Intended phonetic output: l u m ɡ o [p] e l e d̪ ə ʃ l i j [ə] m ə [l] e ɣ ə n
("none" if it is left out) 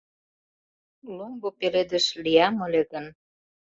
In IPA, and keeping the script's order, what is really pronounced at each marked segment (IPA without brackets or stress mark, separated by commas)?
p, ɑ, l